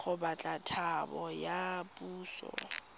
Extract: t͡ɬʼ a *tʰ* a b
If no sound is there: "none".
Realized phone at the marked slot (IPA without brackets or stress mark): tʰ